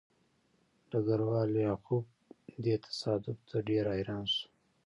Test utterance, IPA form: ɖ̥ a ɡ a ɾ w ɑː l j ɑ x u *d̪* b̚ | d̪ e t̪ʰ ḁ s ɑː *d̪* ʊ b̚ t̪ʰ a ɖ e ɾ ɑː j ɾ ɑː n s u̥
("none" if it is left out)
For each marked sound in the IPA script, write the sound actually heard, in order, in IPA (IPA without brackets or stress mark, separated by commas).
none, d̪